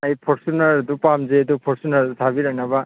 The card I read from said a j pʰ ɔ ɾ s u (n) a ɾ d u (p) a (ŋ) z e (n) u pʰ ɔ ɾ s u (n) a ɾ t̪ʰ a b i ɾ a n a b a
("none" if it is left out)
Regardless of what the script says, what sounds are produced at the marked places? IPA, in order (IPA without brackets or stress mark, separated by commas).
n, p, m, d, n